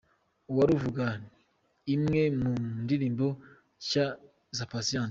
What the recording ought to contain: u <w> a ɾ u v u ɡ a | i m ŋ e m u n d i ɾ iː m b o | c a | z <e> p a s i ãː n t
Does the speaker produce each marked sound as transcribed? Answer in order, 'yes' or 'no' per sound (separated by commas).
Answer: yes, no